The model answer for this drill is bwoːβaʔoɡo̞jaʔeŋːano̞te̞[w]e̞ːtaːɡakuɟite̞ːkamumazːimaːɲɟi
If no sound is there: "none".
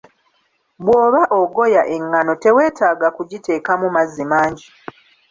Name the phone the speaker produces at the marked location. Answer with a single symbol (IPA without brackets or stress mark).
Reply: w